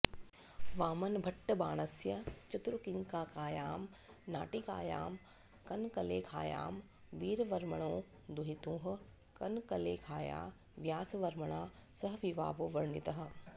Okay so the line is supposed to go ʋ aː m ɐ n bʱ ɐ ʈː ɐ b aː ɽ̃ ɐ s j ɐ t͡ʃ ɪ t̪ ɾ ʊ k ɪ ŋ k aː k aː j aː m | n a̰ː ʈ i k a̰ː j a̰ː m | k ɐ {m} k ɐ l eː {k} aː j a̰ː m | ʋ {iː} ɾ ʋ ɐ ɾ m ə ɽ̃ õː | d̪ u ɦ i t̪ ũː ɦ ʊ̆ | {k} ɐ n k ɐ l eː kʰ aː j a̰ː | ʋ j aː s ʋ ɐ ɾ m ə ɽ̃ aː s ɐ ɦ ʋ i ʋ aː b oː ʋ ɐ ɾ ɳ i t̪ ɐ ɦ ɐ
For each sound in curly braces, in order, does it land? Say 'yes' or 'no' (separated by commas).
no, no, yes, yes